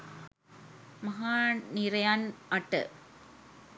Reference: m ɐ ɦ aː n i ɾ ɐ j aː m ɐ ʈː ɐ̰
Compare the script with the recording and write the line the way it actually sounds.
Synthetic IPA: m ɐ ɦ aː n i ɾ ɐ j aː n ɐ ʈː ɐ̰